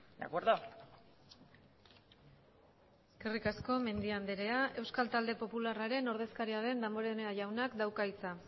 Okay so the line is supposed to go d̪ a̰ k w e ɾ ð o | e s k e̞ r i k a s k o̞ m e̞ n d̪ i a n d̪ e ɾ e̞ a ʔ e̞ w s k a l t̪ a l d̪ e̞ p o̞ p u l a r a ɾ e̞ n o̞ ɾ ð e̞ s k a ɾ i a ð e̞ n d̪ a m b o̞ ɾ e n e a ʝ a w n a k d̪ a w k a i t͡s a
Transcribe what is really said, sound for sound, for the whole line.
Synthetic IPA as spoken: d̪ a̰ k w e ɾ ð o | e s k e̞ r i k a s k o̞ m e̞ n d̪ i a n d̪ e ɾ e̞ a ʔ e̞ w s k a l t̪ a l d̪ e̞ p o̞ p u l a r a ɾ e̞ n o̞ ɾ ð e̞ s k a ɾ i a ð e̞ n d̪ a m b o̞ ɾ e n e a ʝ a w n a k d̪ a w k a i t͡s a